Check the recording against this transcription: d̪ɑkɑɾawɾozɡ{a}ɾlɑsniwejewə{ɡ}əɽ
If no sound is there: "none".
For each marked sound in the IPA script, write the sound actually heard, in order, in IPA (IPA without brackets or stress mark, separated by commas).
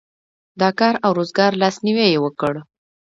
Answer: ɑ, k